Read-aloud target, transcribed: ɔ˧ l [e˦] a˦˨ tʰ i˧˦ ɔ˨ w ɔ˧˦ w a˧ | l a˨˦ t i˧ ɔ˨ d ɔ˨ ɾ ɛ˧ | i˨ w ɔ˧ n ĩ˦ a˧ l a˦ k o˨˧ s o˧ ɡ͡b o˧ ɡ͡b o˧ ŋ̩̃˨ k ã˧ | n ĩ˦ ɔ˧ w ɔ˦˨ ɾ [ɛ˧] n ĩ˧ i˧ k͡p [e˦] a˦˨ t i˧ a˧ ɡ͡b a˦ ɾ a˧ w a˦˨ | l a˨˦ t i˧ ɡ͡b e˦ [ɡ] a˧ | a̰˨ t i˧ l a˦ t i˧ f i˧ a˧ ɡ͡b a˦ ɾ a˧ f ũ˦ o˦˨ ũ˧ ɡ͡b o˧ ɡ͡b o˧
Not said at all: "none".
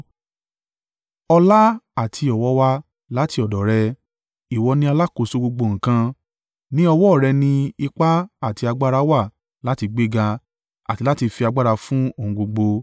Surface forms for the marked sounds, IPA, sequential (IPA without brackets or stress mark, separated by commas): a˦, ɛ˧, a˦, ɡ